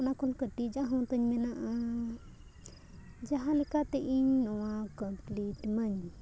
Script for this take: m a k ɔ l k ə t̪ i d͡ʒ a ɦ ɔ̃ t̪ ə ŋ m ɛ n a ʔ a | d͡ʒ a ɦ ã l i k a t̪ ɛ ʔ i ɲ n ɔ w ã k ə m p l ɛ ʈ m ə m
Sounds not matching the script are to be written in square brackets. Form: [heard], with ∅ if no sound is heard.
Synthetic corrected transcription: [n] a k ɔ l k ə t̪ i d͡ʒ a ɦ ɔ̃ t̪ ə [ɲ] m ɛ n a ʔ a | d͡ʒ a ɦ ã l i k a t̪ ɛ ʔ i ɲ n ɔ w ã k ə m p l [i] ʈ m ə [ɲ]